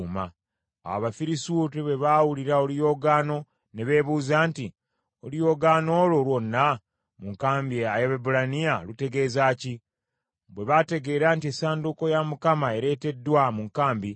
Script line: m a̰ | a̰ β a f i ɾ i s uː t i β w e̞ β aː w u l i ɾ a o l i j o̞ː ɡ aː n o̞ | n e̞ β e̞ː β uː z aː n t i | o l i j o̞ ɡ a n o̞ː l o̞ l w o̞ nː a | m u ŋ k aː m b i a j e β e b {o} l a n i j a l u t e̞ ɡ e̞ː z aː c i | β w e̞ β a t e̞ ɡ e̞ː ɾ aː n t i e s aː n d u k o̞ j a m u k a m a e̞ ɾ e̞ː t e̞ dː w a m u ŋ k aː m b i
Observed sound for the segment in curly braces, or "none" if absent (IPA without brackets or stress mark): u